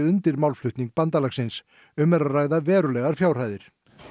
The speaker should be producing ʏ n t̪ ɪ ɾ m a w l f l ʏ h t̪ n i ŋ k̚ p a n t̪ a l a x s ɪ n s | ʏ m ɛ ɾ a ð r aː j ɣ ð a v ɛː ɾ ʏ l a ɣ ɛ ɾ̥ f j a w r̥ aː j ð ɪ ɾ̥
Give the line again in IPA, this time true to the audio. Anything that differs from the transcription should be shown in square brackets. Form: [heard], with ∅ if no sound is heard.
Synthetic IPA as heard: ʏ n t̪ ɪ ɾ m a w l f l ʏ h t̪ n i ŋ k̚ p a n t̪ a l a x s ɪ n s | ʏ m ɛ ɾ a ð r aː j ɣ ð a v ɛː ɾ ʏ l [ɛ] ɣ [a] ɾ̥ f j a w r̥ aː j ð ɪ ɾ̥